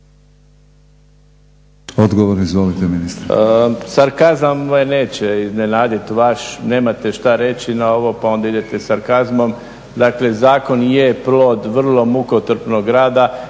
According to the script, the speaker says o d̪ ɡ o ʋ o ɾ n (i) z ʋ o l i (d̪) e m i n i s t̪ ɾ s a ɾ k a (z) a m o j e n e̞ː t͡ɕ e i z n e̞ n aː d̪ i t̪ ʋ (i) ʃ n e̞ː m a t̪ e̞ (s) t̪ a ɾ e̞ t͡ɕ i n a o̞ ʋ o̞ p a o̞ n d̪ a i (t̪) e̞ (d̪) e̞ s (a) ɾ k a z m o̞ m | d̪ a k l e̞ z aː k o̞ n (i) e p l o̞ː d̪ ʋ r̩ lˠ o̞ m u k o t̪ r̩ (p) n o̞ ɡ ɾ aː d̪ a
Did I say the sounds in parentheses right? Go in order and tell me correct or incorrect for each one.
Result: correct, incorrect: t̪, correct, incorrect: a, incorrect: ʃ, incorrect: d̪, incorrect: t̪, correct, incorrect: j, correct

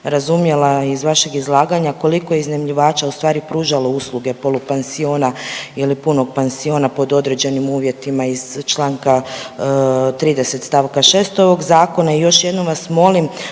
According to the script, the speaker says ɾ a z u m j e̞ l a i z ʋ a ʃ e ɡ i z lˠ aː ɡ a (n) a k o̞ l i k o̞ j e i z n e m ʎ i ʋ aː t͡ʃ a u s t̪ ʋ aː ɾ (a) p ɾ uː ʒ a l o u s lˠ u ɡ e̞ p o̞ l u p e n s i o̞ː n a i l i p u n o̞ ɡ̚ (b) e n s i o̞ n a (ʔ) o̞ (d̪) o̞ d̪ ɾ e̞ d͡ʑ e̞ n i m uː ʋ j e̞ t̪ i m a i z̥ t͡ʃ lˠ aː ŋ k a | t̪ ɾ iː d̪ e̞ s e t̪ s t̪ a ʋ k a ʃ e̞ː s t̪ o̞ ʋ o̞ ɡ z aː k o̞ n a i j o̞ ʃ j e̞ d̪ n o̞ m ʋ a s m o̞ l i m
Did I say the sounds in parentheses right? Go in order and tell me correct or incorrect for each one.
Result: incorrect: ɲ, incorrect: i, incorrect: p, incorrect: p, correct

